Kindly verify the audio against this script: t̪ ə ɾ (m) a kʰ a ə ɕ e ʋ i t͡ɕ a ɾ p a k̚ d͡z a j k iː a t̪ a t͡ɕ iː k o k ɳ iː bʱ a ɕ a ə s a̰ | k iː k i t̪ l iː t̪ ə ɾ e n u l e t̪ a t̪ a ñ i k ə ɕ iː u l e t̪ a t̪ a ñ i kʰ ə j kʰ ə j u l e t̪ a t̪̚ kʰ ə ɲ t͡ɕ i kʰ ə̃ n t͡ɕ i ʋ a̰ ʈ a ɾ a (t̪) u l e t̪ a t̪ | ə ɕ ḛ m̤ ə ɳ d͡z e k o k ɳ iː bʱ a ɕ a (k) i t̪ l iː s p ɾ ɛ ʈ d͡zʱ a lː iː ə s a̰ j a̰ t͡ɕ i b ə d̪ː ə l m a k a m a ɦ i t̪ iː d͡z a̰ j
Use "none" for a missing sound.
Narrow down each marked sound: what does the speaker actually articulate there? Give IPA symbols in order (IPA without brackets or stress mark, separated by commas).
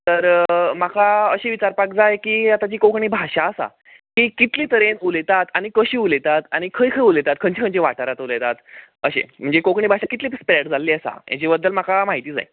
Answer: m, t̪, k